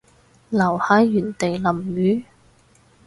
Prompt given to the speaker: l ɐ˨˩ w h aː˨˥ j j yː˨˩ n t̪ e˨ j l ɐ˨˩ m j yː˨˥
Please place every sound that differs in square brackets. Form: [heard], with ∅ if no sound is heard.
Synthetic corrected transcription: l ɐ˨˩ w h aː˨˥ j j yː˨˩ n t̪ e˨ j l ɐ˨˩ m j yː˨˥